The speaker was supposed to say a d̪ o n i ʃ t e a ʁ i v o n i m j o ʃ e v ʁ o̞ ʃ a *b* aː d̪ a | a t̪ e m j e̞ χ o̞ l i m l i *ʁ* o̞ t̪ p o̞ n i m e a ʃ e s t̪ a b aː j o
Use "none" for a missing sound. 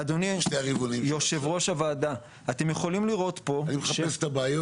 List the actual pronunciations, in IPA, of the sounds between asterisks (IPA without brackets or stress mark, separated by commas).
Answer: v, ʁ